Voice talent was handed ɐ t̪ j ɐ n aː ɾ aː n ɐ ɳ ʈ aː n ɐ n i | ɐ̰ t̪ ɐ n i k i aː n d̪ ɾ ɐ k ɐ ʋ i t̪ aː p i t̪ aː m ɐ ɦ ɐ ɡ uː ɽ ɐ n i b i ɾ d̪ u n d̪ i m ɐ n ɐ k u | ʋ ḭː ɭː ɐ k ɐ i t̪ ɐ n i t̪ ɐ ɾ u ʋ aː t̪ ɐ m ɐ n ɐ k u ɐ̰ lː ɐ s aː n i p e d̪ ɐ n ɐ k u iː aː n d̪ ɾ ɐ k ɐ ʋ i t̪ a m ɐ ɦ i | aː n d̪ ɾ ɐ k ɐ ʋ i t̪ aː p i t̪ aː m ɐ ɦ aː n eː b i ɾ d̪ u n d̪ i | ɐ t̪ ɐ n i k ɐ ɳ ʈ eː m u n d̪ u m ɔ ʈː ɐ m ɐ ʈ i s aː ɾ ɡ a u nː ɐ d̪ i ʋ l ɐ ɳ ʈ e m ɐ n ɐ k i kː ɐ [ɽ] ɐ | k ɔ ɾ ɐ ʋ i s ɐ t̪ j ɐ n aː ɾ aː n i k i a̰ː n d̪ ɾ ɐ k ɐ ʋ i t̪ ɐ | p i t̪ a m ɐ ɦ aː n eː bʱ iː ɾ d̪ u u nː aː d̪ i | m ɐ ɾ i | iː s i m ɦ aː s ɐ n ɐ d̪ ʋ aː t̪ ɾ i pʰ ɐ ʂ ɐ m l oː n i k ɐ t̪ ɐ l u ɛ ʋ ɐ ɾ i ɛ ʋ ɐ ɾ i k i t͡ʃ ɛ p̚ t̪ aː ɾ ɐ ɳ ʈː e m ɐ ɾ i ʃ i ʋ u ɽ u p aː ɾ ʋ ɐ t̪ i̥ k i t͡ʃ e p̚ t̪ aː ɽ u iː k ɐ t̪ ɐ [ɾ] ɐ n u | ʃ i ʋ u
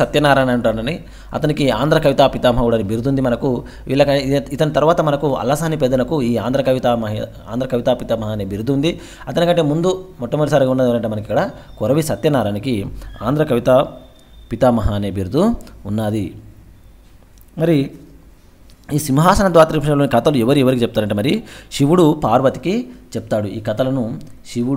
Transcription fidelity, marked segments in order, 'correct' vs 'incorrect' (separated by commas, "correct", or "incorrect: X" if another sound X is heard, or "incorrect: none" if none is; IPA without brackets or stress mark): correct, incorrect: l